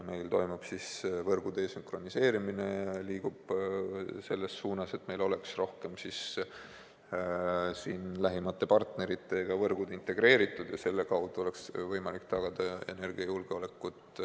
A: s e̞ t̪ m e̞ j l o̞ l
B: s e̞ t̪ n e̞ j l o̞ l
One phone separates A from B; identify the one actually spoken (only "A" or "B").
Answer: A